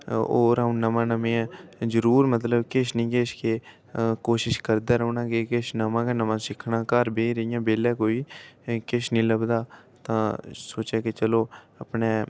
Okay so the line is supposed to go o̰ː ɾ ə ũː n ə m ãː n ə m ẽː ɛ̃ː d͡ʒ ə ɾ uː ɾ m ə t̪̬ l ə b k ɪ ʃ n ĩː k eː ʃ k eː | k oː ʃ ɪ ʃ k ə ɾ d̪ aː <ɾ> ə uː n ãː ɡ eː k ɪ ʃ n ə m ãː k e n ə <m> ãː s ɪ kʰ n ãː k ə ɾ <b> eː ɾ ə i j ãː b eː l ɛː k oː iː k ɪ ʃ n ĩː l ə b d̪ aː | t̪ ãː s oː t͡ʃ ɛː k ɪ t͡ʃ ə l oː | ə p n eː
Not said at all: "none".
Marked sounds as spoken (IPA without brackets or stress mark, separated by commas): ɾ, m, b